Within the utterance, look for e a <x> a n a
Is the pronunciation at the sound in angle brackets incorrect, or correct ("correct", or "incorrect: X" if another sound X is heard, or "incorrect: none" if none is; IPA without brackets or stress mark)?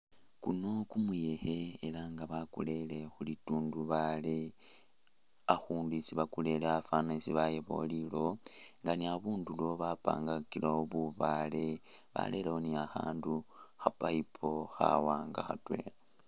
incorrect: f